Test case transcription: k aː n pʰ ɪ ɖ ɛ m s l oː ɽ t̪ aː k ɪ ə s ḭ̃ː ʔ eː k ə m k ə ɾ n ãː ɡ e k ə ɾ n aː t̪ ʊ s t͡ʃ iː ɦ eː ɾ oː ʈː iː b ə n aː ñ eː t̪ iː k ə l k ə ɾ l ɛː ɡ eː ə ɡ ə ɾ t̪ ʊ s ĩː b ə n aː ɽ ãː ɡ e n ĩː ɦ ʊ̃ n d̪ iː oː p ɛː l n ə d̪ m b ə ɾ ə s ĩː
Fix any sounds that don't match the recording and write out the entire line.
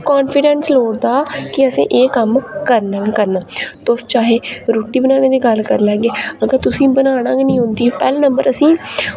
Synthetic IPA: k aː n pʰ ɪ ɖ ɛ n s l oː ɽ d̪ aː k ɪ ə s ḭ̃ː ʔ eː k ə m k ə ɾ n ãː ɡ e k ə ɾ n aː t̪ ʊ s t͡ʃ aː ɦ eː ɾ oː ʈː iː b ə n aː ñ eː d̪ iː ɡ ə l k ə ɾ l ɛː ɡ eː ə ɡ ə ɾ t̪ ʊ s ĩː b ə n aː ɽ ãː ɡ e n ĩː ɦ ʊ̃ n d̪ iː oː p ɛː l n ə m b ə ɾ ə s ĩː